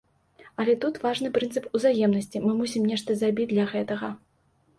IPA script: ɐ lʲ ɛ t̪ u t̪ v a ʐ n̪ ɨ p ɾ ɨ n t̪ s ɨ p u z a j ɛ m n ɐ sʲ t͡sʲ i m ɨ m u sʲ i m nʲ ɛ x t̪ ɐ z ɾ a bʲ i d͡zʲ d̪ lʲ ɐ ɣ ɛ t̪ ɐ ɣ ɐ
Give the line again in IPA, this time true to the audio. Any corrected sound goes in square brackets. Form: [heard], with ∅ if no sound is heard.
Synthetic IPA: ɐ lʲ ɛ t̪ u t̪ v a ʐ n̪ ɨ p ɾ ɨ n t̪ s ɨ p u z a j ɛ m n ɐ sʲ t͡sʲ i m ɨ m u sʲ i m nʲ ɛ [ʂ] t̪ ɐ z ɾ a bʲ i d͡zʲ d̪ lʲ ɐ ɣ ɛ t̪ ɐ ɣ ɐ

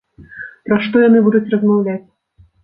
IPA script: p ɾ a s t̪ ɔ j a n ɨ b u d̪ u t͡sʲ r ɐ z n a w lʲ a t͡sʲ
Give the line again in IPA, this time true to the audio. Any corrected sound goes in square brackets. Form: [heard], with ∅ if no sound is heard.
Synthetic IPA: p ɾ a [ʂ] t̪ ɔ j a n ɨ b u d̪ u t͡sʲ r ɐ z [m] a w lʲ a t͡sʲ

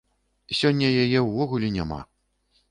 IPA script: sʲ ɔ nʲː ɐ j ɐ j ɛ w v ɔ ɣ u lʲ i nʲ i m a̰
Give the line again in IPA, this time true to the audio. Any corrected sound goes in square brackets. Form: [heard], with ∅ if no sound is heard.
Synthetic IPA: sʲ ɔ nʲː ɐ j [a] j ɛ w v ɔ ɣ u lʲ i nʲ [a] m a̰

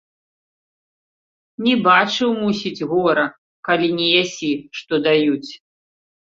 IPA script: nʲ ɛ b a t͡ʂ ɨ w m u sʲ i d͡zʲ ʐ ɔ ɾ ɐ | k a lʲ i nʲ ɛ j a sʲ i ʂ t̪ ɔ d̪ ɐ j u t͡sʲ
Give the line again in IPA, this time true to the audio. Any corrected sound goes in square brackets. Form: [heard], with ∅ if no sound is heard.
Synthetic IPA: nʲ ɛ b a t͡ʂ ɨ w m u sʲ i d͡zʲ [ɣ] ɔ ɾ ɐ | k a lʲ i nʲ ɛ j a sʲ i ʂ t̪ ɔ d̪ [a] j u t͡sʲ

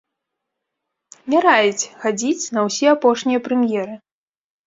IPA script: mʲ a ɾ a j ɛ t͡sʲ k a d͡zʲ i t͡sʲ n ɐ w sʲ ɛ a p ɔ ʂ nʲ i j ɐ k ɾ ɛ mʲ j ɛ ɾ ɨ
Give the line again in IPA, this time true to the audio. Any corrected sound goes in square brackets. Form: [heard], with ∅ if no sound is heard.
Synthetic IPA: mʲ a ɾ a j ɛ t͡sʲ [x] a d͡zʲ i t͡sʲ n ɐ w sʲ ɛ a p ɔ ʂ nʲ i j ɐ [p] ɾ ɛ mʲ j ɛ ɾ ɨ

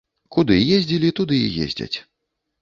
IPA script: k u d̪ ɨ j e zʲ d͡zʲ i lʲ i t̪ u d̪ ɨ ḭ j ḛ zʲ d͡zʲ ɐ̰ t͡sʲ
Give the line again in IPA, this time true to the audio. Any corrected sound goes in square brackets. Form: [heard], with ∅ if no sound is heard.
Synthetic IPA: k u d̪ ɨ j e zʲ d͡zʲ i lʲ i t̪ u d̪ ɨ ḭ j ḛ zʲ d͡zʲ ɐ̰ t͡sʲ

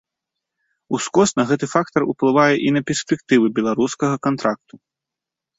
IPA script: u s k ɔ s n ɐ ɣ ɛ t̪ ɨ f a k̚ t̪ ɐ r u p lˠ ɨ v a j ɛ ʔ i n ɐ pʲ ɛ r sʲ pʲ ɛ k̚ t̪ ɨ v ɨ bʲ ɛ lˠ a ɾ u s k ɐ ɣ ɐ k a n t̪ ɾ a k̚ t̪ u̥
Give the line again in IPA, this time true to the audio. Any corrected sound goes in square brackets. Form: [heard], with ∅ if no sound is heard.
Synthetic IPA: u s k ɔ s n ɐ ɣ ɛ t̪ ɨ f a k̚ t̪ ɐ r u p lˠ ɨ v a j ɛ ʔ i n ɐ pʲ ɛ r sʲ pʲ ɛ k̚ t̪ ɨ v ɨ bʲ ɛ lˠ a ɾ u s k ɐ ɣ ɐ k a n t̪ ɾ a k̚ t̪ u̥

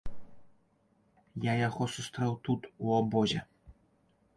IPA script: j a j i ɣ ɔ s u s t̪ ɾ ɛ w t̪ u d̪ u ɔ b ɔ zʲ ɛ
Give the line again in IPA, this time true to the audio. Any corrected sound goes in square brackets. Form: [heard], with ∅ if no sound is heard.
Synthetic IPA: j a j [a] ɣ ɔ s u s t̪ ɾ ɛ w t̪ u [t̪] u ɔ b ɔ zʲ ɛ

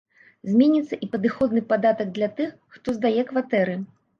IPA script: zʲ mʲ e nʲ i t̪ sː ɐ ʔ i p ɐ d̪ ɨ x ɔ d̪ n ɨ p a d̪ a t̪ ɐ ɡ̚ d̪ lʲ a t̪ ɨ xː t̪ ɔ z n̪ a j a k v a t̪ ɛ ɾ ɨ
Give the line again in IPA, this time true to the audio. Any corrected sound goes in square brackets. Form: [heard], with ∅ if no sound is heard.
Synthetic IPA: zʲ mʲ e nʲ i t̪ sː ɐ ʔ i p ɐ d̪ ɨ x ɔ d̪ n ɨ p a d̪ a t̪ ɐ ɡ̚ d̪ lʲ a t̪ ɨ xː t̪ ɔ z [d̪] a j [ɛ] k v a t̪ ɛ ɾ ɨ

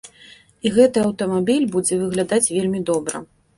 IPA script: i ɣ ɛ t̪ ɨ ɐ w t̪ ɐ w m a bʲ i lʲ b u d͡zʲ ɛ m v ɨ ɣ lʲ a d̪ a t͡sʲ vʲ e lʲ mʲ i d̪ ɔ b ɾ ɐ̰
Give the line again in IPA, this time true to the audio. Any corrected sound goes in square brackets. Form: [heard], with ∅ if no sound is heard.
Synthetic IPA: i ɣ ɛ t̪ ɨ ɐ w t̪ ɐ [∅] m a bʲ i lʲ b u d͡zʲ ɛ [∅] v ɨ ɣ lʲ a d̪ a t͡sʲ vʲ e lʲ mʲ i d̪ ɔ b ɾ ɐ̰

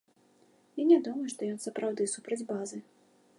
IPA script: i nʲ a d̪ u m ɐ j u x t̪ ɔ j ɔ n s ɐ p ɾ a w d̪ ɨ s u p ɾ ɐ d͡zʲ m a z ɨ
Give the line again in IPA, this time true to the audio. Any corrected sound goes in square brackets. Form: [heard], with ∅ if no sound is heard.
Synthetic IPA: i nʲ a d̪ u m ɐ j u [ʂ] t̪ ɔ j ɔ n s ɐ p ɾ a w d̪ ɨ s u p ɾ ɐ d͡zʲ [b] a z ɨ

